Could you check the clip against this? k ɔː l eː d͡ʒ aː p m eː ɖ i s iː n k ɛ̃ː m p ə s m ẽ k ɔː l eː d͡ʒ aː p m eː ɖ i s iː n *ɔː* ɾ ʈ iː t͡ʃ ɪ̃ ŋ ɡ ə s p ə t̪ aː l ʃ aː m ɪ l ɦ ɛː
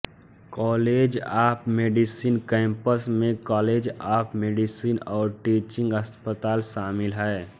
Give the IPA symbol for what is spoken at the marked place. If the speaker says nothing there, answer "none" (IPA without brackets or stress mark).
ɔː